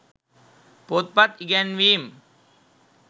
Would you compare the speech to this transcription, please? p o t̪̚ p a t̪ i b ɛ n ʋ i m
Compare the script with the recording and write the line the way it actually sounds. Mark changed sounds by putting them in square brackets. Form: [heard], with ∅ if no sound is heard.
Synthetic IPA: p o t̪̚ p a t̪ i [ɡ] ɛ n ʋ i m